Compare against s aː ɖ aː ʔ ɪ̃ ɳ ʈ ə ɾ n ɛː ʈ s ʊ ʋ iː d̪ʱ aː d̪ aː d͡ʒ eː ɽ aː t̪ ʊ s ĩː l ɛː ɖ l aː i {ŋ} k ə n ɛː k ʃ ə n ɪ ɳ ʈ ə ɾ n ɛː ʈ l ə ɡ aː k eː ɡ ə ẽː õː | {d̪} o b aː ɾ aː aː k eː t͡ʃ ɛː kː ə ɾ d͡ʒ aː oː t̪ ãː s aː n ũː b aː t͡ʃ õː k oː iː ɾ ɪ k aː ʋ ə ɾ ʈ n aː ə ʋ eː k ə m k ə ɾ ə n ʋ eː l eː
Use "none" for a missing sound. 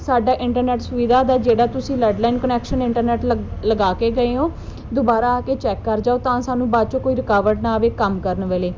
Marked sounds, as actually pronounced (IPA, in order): n, d̪

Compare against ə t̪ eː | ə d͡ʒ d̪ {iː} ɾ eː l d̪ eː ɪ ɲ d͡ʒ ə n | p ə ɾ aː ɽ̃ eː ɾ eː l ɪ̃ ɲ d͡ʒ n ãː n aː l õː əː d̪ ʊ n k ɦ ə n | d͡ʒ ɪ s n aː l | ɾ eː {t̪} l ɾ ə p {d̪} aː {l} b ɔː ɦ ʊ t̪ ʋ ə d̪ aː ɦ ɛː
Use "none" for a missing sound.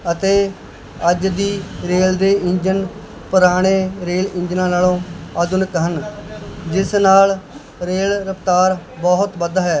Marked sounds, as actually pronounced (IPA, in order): iː, none, t̪, ɾ

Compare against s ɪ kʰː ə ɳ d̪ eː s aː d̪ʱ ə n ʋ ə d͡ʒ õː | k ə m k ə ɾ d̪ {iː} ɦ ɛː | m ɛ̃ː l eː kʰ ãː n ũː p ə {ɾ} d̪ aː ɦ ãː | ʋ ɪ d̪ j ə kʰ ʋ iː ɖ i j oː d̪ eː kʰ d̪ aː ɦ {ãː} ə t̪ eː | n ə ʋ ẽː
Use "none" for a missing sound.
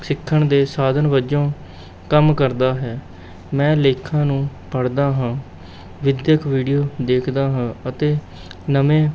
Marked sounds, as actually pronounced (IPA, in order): aː, ɽ, ãː

